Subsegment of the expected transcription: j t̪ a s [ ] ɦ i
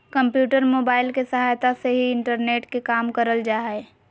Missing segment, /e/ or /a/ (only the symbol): e